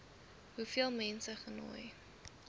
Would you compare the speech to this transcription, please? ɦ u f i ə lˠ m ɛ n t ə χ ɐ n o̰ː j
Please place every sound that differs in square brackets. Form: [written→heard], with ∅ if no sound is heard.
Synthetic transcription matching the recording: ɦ u f i ə lˠ m ɛ n [t→s] ə χ [ɐ→ə] n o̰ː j